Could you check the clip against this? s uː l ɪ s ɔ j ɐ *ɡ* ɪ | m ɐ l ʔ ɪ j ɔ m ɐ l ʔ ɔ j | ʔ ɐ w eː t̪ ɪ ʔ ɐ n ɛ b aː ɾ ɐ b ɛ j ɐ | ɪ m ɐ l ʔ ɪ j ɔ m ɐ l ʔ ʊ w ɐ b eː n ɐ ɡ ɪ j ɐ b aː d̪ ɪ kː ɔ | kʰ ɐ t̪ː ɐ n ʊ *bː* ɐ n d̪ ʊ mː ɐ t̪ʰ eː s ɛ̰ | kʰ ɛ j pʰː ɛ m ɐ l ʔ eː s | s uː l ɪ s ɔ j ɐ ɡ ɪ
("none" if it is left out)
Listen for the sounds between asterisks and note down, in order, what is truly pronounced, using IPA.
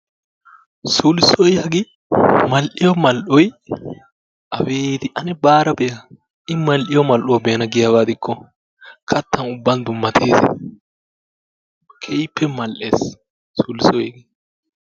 ɡ, bː

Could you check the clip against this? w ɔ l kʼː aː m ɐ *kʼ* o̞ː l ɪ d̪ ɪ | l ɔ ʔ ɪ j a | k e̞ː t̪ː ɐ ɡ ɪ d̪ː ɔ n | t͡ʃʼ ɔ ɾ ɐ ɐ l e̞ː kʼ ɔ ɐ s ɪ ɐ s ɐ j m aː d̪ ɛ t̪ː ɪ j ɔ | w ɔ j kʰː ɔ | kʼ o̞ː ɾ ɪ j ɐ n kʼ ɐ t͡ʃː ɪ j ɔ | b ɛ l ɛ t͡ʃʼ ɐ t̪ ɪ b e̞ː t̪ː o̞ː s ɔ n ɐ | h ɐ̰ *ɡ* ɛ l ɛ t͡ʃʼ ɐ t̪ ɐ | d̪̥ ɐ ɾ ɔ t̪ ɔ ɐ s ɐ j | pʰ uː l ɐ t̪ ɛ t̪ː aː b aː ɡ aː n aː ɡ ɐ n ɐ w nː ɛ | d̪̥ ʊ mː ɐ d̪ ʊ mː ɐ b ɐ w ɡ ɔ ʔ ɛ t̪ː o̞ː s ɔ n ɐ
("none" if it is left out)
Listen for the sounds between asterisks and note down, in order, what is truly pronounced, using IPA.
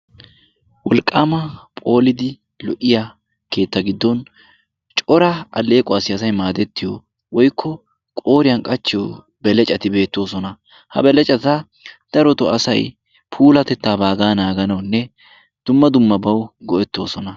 pʼ, b

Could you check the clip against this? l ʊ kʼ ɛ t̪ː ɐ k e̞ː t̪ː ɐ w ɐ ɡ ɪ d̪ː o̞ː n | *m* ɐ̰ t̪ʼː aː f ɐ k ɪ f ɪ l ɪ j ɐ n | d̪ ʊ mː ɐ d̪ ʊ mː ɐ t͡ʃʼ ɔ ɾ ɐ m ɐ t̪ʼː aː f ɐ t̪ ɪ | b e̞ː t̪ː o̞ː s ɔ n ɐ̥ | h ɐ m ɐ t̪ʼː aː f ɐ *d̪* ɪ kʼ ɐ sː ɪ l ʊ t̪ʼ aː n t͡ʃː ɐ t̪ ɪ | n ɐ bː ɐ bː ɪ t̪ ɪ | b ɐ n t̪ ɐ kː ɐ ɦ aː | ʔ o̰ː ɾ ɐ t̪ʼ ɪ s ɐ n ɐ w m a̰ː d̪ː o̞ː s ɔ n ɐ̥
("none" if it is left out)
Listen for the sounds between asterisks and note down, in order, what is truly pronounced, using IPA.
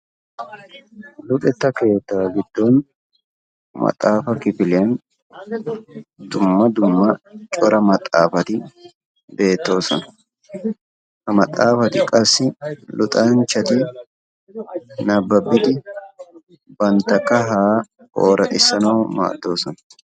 m, t̪

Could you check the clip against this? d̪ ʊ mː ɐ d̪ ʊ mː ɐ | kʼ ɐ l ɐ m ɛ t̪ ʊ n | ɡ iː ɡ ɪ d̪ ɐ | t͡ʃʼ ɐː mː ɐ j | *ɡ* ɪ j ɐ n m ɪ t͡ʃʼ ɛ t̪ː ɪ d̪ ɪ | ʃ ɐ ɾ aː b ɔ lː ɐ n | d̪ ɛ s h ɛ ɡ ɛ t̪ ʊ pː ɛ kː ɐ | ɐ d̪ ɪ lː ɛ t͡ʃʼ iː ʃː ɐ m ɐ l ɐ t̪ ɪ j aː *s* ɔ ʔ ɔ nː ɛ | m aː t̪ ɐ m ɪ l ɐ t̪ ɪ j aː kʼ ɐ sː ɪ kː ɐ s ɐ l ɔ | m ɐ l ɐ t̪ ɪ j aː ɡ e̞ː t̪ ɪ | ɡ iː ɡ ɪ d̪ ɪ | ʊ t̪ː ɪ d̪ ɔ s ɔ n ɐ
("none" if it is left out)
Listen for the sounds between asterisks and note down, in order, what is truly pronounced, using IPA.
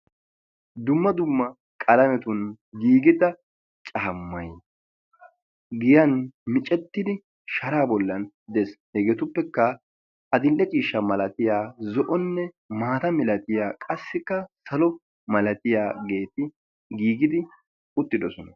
ɡ, z

